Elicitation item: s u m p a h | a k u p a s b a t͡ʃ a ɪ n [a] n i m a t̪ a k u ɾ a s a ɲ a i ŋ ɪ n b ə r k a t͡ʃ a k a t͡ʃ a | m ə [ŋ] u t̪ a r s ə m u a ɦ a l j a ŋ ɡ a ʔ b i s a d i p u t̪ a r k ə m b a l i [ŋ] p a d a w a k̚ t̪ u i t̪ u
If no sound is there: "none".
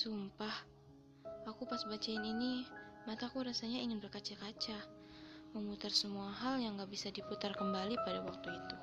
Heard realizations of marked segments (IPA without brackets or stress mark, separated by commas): i, m, none